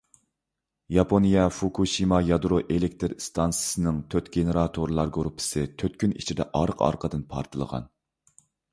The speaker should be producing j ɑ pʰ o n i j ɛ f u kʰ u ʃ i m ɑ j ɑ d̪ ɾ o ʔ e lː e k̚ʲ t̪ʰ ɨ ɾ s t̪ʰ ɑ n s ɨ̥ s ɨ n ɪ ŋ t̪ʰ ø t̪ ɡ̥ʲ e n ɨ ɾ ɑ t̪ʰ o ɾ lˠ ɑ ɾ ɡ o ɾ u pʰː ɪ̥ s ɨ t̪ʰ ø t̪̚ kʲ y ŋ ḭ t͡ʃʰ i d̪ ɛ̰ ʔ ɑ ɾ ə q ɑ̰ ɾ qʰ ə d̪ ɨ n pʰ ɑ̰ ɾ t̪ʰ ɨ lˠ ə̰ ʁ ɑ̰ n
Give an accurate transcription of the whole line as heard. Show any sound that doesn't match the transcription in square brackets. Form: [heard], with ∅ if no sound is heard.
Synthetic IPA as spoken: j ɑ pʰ o n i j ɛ f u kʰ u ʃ i m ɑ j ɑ d̪ ɾ o ʔ e [l] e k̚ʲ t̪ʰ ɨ ɾ s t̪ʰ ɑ n s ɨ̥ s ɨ n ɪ ŋ t̪ʰ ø t̪ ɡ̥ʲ e n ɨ ɾ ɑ t̪ʰ o ɾ lˠ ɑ ɾ ɡ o ɾ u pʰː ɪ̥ s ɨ t̪ʰ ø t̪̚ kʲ y [n] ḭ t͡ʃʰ i d̪ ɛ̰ ʔ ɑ ɾ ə q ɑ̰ ɾ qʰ ə d̪ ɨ n pʰ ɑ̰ ɾ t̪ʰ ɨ lˠ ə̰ ʁ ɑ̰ n

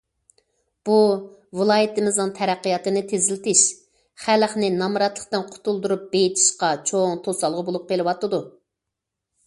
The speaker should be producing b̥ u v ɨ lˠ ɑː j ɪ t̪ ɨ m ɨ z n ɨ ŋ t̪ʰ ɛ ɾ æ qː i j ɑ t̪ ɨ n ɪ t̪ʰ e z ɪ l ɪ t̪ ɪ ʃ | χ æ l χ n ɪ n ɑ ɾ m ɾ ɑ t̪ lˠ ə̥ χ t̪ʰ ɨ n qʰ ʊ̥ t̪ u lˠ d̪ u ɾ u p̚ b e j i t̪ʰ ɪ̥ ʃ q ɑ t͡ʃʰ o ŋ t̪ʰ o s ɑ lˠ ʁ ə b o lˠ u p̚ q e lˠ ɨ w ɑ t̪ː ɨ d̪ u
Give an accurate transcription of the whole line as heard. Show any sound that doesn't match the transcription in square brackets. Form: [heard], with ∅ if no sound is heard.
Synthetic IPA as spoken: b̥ u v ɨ lˠ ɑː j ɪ t̪ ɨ m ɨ z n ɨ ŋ t̪ʰ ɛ ɾ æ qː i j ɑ t̪ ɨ n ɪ t̪ʰ e z ɪ l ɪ t̪ ɪ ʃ | χ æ l χ n ɪ n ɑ [∅] m ɾ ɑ t̪ lˠ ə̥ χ [t̪] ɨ n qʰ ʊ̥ t̪ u lˠ d̪ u ɾ u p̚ b e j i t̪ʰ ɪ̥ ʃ q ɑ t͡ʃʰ o ŋ t̪ʰ o s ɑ lˠ ʁ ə b o lˠ u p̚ q e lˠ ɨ w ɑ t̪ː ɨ d̪ u

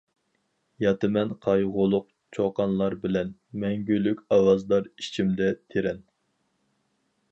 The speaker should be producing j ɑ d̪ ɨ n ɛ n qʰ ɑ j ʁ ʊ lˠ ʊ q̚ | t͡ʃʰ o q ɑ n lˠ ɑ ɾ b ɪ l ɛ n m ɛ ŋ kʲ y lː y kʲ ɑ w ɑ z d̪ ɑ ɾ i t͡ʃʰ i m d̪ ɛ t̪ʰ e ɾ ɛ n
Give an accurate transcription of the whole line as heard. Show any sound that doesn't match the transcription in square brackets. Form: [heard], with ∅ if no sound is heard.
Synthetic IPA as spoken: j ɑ [t̪] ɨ [m] ɛ n qʰ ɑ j ʁ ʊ lˠ ʊ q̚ | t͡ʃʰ o q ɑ n lˠ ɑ ɾ b ɪ l ɛ n m ɛ ŋ [ɡʲ] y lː y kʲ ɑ w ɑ z d̪ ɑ ɾ i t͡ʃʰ i m d̪ ɛ t̪ʰ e ɾ ɛ n

